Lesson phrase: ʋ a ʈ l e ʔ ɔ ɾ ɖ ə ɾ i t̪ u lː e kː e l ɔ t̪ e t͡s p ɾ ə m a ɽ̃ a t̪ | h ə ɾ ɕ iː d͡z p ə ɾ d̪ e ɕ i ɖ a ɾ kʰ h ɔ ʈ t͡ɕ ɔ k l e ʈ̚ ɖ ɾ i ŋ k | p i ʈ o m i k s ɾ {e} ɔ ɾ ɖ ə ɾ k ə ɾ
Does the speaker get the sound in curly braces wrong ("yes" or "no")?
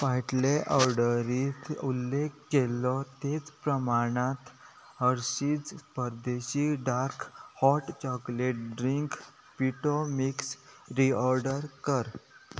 yes